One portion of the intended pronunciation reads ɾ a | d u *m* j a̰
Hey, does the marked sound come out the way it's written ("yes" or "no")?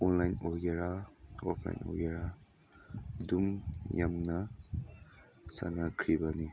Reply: yes